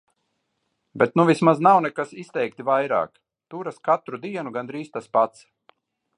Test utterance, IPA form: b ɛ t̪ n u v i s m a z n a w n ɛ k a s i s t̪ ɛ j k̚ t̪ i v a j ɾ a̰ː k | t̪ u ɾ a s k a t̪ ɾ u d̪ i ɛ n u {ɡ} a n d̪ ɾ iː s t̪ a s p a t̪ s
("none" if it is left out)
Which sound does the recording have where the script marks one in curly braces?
ɡ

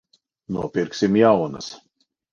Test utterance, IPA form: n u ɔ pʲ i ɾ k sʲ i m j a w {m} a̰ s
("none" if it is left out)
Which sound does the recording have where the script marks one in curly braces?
n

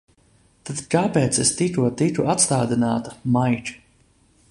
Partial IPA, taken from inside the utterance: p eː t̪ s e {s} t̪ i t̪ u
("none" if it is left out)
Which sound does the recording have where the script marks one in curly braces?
s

